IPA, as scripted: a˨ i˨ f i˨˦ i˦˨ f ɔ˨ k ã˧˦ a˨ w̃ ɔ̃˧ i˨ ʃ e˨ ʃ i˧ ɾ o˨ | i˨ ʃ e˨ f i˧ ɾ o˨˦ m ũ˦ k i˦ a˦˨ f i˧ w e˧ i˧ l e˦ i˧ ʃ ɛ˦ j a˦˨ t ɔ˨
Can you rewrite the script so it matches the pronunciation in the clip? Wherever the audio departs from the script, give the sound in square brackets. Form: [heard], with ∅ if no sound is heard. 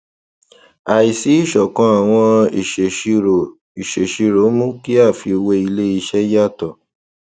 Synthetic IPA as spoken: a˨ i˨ [s] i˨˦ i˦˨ [ʃ] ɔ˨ k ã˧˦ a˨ w̃ ɔ̃˧ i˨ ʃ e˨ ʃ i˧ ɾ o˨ | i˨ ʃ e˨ [ʃ] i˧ ɾ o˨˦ m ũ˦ k i˦ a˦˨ f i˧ w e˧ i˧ l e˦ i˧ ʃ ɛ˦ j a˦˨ t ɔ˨